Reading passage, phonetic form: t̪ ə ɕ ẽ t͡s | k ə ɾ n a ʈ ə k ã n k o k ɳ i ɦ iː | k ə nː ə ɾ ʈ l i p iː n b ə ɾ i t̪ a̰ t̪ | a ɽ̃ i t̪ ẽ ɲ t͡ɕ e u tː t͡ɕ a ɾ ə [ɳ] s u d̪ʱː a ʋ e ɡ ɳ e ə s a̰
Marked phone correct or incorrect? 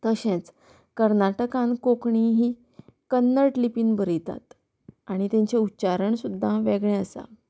correct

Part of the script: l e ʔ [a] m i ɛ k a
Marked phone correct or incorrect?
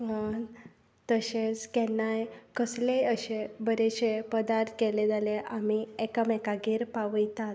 correct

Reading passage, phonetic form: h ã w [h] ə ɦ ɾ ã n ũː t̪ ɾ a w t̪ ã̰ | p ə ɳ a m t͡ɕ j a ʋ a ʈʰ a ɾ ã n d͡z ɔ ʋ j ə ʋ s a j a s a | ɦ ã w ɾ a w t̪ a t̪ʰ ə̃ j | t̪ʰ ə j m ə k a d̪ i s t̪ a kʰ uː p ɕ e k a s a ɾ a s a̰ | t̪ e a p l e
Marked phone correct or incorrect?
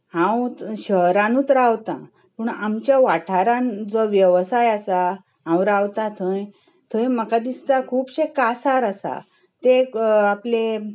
incorrect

